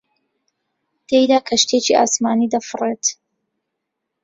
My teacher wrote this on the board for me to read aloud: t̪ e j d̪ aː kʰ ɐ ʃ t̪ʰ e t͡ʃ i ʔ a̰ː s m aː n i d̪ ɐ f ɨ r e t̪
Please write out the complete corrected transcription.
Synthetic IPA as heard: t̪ e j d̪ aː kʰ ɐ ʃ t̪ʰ e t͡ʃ i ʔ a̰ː s m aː n i d̪ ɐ f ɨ r e t̪